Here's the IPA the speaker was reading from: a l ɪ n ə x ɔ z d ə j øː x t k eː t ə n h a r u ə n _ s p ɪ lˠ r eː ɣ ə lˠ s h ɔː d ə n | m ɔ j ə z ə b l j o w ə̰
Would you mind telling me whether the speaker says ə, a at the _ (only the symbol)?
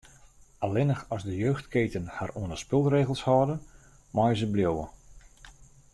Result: ə